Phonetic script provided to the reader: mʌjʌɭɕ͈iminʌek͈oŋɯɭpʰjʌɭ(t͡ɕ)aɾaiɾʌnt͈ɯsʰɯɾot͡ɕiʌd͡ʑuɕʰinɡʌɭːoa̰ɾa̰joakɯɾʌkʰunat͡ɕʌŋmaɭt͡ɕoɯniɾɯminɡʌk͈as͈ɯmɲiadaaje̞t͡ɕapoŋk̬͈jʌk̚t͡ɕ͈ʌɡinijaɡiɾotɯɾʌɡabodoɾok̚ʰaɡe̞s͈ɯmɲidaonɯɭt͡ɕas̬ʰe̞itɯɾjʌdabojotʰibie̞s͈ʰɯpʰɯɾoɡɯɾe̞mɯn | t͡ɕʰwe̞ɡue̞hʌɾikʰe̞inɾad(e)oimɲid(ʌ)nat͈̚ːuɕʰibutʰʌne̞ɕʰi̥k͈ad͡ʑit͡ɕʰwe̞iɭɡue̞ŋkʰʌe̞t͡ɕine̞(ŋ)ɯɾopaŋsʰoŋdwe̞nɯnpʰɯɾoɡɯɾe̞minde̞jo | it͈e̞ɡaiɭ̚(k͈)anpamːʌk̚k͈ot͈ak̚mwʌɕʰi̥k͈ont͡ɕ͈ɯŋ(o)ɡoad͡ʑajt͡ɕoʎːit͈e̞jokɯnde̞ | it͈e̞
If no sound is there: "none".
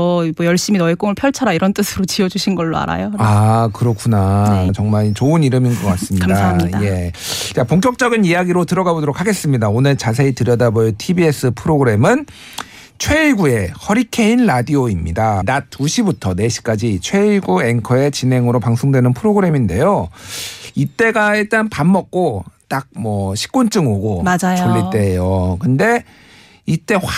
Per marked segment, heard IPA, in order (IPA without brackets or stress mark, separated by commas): t͡ɕʰ, i, a, ŋ, t͈, o